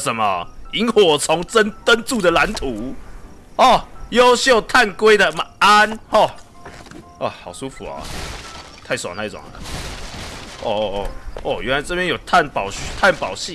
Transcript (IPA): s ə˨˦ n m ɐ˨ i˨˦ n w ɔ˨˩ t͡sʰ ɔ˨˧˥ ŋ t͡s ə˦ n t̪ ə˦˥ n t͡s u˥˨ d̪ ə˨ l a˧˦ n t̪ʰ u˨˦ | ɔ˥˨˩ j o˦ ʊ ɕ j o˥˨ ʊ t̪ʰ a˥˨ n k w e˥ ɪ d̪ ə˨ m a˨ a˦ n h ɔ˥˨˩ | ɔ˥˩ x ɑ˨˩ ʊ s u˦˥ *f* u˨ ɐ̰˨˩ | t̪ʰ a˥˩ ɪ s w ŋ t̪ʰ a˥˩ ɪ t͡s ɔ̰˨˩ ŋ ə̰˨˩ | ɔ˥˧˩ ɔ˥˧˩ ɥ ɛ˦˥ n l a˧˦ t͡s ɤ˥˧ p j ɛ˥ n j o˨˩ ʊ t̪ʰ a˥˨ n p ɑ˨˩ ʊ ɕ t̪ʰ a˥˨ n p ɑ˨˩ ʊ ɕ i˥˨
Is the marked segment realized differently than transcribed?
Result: no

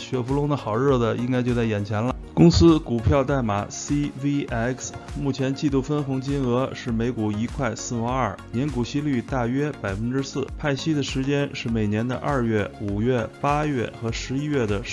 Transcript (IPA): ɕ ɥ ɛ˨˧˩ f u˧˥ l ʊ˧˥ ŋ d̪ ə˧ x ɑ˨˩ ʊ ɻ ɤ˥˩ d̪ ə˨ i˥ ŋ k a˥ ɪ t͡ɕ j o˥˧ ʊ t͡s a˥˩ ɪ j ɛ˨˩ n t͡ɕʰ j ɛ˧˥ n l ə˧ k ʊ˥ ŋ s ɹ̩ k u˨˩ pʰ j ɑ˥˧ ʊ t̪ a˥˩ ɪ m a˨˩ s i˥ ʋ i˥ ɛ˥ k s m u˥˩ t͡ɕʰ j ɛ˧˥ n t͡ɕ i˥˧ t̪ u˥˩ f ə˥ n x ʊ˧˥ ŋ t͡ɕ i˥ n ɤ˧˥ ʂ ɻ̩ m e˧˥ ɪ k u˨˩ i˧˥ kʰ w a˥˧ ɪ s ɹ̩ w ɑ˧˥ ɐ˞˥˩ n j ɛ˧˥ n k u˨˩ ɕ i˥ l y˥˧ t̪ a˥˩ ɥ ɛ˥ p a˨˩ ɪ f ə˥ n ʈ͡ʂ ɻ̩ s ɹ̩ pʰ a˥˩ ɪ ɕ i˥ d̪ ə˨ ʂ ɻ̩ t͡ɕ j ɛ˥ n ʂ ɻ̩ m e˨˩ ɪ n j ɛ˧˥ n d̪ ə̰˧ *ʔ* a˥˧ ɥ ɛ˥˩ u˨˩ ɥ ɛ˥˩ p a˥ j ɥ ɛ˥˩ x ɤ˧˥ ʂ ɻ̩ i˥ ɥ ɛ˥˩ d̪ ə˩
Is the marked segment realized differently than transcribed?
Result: no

